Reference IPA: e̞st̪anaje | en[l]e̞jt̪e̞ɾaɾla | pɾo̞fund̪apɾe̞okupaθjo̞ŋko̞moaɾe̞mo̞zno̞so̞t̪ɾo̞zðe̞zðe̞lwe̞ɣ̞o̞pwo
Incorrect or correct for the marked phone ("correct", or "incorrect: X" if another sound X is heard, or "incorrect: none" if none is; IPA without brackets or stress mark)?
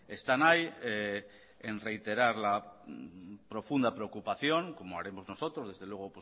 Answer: incorrect: r